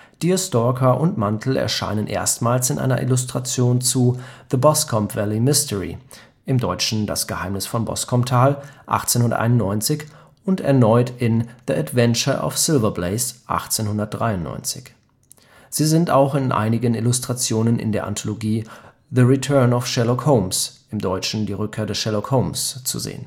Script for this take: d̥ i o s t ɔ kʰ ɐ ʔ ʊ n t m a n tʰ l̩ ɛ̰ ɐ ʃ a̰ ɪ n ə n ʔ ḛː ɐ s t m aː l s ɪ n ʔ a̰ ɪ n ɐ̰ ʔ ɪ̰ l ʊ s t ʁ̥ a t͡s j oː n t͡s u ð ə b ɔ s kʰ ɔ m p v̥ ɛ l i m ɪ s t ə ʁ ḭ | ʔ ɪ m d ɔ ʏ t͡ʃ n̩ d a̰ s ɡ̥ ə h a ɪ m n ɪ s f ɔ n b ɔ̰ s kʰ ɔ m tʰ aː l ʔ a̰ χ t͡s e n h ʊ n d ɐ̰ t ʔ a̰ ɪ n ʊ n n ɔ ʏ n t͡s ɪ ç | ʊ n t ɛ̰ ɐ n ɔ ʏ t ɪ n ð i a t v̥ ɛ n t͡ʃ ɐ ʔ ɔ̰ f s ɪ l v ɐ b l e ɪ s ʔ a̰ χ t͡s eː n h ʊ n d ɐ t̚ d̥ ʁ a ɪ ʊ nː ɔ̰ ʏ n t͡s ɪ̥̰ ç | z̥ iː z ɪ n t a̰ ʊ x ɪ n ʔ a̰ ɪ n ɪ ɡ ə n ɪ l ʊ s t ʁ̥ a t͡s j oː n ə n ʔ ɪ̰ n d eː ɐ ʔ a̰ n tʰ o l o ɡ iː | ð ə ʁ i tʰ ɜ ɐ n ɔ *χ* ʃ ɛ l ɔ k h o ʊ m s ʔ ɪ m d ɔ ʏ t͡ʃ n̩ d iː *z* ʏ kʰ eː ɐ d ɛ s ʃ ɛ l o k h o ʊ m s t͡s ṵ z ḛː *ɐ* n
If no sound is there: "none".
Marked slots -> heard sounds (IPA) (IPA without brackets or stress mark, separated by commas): f, ʁ, ə